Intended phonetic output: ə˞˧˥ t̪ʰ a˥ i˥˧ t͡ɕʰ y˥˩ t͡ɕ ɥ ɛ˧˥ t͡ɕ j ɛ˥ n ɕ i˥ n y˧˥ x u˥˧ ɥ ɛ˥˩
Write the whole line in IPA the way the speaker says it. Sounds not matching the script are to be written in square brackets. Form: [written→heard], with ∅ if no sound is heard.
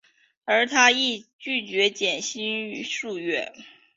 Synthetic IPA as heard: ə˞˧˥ t̪ʰ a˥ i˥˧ [t͡ɕʰ→t͡ɕ] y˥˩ t͡ɕ ɥ ɛ˧˥ t͡ɕ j [ɛ˥→ɛ˨˩] n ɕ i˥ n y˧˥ [x→ʂ] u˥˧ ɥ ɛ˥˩

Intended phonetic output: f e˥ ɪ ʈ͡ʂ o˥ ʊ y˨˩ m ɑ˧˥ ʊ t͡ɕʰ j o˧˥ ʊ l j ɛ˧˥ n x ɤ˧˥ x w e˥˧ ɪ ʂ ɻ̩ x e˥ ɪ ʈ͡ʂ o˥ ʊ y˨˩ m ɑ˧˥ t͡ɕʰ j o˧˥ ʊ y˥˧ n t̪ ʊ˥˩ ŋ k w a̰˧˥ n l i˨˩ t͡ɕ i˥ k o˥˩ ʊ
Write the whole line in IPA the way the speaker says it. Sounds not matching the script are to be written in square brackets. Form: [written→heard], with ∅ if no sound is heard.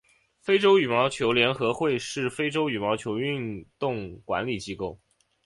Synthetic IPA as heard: f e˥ ɪ ʈ͡ʂ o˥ ʊ y˨˩ m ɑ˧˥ ʊ t͡ɕʰ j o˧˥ ʊ l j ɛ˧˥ n x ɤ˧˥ x w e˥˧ ɪ ʂ ɻ̩ [x→f] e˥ ɪ ʈ͡ʂ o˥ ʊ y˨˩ m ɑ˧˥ t͡ɕʰ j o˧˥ ʊ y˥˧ n t̪ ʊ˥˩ ŋ k w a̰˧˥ n l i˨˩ t͡ɕ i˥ k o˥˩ ʊ

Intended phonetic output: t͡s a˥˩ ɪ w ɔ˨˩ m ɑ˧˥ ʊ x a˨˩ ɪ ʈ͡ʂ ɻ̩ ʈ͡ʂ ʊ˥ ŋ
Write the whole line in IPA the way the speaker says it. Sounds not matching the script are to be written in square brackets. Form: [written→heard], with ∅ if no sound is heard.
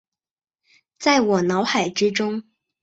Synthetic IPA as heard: t͡s a˥˩ ɪ w ɔ˨˩ [m→n] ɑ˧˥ ʊ x a˨˩ ɪ ʈ͡ʂ ɻ̩ ʈ͡ʂ ʊ˥ ŋ

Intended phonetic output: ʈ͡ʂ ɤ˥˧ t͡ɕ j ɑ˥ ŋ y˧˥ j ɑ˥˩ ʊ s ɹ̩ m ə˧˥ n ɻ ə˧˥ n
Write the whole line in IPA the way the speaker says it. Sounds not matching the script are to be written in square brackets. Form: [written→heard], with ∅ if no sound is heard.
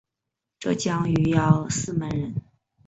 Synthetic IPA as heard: ʈ͡ʂ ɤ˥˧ t͡ɕ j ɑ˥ ŋ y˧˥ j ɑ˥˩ ʊ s ɹ̩ m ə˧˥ n ɻ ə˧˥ n

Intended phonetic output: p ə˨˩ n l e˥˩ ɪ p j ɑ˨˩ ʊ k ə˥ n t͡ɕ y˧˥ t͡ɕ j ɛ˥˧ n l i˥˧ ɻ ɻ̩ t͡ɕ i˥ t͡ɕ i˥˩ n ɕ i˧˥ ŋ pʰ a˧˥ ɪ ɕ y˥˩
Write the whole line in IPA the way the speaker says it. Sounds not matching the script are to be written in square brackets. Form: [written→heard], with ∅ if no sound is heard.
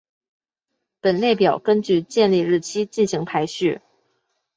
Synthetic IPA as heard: p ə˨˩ n l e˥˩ ɪ p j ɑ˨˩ ʊ k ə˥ n t͡ɕ [y˧˥→y˥˧] t͡ɕ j ɛ˥˧ n l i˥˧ ɻ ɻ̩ [t͡ɕ→t͡ɕʰ] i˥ t͡ɕ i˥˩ n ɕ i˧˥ ŋ pʰ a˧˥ ɪ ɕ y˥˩

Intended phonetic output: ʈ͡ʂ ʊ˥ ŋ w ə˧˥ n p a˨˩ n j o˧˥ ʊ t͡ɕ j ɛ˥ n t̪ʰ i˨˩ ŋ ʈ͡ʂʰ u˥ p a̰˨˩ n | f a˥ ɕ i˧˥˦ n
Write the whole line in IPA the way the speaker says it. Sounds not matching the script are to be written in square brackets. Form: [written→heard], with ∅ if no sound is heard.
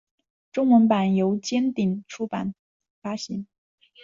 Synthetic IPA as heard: ʈ͡ʂ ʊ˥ ŋ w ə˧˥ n p a˨˩ n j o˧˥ ʊ t͡ɕ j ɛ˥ n [t̪ʰ→t̪] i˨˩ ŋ ʈ͡ʂʰ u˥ p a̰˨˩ n | f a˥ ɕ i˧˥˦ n

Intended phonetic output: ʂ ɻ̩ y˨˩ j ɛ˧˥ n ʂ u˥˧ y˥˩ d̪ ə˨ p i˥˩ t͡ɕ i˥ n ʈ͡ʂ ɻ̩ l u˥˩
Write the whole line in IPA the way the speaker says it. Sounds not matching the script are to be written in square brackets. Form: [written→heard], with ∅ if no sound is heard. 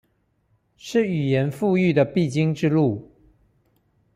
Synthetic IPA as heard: ʂ ɻ̩ y˨˩ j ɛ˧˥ n [ʂ→f] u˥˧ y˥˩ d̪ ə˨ p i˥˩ t͡ɕ i˥ [n→ŋ] ʈ͡ʂ ɻ̩ l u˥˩

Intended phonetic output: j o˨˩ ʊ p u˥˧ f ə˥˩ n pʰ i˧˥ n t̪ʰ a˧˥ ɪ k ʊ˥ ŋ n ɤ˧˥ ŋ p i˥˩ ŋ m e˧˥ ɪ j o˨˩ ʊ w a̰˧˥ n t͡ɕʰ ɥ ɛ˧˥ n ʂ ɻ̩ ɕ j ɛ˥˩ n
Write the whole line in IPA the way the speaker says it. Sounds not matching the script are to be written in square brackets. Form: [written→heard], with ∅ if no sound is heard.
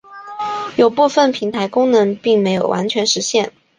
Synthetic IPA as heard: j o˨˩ ʊ p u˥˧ f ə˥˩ n pʰ i˧˥ [n→ŋ] t̪ʰ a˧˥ ɪ k ʊ˥ ŋ n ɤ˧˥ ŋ p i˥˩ ŋ m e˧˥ ɪ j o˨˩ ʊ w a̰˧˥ n t͡ɕʰ ɥ ɛ˧˥ n ʂ ɻ̩ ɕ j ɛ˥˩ n

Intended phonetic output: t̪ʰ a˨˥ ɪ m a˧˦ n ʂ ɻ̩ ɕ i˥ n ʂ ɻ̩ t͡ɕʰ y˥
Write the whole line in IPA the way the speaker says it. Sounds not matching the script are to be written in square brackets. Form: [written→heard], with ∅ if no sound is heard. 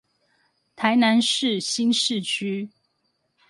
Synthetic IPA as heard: t̪ʰ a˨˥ ɪ [m→n] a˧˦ n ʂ ɻ̩ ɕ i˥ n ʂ ɻ̩ t͡ɕʰ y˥

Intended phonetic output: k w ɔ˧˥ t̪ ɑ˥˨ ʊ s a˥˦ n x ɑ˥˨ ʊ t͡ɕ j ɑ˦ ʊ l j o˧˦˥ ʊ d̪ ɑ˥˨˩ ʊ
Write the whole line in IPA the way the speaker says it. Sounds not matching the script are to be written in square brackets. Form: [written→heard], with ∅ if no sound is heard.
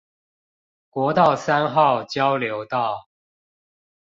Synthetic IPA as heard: k w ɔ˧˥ t̪ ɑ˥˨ ʊ s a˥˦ n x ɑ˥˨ ʊ t͡ɕ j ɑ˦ ʊ l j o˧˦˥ ʊ [d̪→t̪] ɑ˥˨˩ ʊ

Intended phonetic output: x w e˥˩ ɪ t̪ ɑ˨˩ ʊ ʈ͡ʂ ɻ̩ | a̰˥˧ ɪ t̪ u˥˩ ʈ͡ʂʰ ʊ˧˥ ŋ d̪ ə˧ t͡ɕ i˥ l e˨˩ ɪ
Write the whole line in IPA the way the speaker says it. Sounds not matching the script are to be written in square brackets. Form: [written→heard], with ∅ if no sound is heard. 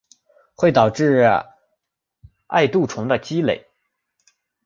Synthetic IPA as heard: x w e˥˩ ɪ t̪ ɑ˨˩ ʊ ʈ͡ʂ ɻ̩ | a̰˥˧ ɪ t̪ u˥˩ ʈ͡ʂʰ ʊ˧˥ ŋ d̪ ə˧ t͡ɕ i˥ l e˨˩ ɪ

